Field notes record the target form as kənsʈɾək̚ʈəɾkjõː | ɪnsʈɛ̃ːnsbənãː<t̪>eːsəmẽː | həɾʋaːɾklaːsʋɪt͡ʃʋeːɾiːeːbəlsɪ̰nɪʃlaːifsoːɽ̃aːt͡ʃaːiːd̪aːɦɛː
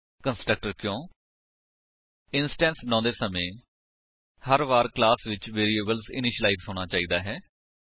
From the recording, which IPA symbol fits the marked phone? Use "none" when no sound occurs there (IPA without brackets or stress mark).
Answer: d̪